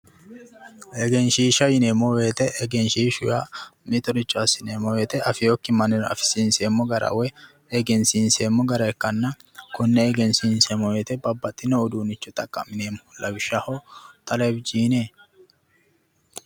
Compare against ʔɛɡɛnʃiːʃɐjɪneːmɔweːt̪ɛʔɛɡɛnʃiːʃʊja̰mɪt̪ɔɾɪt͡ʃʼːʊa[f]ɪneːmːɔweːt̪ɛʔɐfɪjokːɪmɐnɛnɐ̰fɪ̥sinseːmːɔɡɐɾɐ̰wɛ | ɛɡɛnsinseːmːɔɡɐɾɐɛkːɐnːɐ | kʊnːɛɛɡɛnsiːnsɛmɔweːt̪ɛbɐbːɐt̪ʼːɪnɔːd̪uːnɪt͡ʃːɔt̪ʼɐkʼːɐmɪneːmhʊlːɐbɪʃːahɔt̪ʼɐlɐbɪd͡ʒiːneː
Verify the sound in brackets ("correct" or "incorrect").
incorrect